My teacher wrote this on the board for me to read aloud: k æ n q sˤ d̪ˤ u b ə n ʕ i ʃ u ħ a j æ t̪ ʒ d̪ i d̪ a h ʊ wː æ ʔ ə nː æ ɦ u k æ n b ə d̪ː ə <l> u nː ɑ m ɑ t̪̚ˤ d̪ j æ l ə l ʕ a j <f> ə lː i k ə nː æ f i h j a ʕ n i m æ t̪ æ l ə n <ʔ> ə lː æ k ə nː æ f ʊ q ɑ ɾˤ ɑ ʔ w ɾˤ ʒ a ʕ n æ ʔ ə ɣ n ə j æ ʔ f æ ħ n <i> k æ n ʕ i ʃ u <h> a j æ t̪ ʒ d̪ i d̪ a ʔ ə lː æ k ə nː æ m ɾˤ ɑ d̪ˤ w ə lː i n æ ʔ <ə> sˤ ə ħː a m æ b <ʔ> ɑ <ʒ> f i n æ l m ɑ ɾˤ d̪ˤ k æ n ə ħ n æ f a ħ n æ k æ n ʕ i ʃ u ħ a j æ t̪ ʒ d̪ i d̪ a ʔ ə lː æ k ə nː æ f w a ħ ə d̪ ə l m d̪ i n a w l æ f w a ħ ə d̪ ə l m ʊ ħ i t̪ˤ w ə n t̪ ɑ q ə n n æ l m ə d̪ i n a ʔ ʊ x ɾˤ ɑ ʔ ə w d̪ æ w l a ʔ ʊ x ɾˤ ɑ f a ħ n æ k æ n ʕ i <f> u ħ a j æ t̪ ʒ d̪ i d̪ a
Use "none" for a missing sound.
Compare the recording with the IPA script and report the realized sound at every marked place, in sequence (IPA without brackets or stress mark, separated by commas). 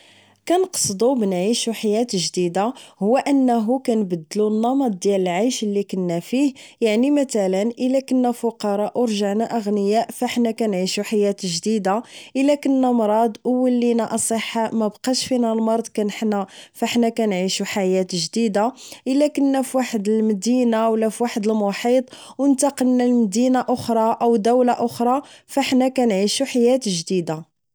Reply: l, ʃ, ʔ, æ, ħ, ɑ, q, ʃ, ʃ